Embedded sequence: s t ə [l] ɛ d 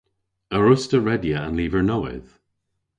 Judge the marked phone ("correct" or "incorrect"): incorrect